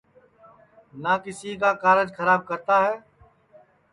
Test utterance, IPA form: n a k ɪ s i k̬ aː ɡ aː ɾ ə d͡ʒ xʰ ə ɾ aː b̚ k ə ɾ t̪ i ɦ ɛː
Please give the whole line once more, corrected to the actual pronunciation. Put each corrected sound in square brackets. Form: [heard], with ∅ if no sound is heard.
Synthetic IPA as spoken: n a k ɪ s i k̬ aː [k] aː ɾ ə d͡ʒ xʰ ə ɾ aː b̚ k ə ɾ t̪ [a] ɦ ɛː